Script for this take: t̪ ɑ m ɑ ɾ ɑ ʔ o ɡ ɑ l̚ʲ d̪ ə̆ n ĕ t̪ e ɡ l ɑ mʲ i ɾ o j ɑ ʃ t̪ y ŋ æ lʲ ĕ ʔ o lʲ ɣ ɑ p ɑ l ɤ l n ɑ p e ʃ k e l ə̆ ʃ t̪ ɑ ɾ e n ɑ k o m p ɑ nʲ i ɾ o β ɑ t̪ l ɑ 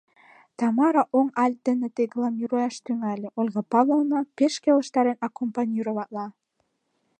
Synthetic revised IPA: t̪ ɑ m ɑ ɾ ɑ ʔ o ŋ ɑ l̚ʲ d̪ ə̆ n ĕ t̪ e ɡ l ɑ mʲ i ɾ o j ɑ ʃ t̪ y ŋ æ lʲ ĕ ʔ o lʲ ɣ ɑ p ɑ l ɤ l n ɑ p e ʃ k e l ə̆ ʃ t̪ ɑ ɾ e n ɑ k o m p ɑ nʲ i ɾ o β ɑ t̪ l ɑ